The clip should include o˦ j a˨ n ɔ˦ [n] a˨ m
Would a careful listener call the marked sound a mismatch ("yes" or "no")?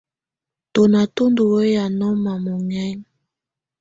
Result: yes